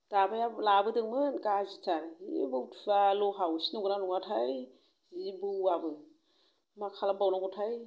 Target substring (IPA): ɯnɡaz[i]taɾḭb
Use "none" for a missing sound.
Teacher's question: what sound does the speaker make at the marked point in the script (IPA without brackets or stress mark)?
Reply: i